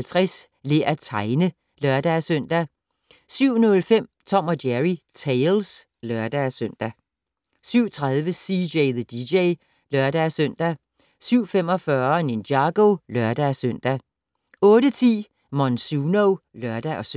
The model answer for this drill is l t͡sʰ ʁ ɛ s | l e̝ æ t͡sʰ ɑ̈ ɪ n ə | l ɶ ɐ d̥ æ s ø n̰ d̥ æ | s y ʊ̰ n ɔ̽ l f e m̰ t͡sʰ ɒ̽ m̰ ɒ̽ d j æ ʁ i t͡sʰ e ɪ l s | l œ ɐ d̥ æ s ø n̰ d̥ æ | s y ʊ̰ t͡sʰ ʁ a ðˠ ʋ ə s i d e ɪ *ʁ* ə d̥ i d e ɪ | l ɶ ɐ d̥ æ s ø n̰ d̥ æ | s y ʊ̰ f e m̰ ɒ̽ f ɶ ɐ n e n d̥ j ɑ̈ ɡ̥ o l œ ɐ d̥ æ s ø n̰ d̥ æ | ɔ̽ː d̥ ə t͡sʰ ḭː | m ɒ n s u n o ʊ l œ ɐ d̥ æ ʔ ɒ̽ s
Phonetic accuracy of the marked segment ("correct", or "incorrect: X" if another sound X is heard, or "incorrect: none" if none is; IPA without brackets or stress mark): incorrect: ð